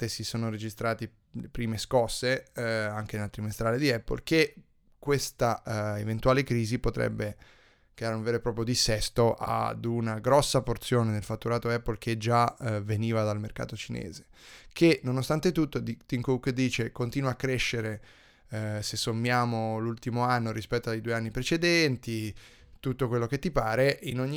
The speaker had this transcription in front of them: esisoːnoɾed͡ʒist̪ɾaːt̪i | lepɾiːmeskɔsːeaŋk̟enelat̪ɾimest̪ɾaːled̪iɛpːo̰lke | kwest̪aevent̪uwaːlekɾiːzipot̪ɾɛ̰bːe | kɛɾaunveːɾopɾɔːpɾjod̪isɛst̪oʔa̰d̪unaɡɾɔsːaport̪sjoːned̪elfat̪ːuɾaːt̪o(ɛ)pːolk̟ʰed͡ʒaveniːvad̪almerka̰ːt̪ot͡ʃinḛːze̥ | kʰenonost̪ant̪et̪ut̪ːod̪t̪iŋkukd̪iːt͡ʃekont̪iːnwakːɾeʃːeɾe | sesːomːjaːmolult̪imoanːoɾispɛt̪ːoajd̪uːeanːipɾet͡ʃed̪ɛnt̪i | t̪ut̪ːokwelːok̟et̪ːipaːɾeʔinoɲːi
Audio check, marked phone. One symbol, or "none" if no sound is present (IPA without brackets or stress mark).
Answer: ɛ